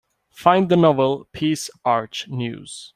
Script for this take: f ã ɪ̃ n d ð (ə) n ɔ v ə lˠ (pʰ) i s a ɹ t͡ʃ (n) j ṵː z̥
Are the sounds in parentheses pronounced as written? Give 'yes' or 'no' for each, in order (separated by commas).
yes, yes, yes